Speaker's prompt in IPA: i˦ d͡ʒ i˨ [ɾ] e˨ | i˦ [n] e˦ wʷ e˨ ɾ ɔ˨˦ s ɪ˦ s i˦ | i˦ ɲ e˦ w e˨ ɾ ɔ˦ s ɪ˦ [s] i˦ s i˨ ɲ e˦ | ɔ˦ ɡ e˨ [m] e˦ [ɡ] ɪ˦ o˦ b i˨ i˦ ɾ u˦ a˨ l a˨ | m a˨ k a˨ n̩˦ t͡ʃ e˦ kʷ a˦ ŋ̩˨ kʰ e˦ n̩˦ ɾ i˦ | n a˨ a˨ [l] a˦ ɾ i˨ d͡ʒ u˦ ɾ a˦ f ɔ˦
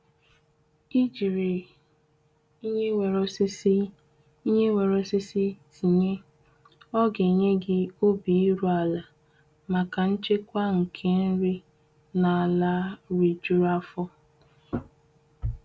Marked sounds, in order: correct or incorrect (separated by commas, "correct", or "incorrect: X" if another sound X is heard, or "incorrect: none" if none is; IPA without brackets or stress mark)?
correct, incorrect: ɲ, correct, incorrect: ɲ, correct, correct